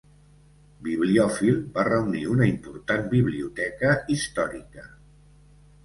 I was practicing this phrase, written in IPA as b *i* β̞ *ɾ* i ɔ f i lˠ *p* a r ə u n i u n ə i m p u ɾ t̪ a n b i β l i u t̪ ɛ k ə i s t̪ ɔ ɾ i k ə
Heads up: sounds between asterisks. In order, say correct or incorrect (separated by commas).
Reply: correct, incorrect, incorrect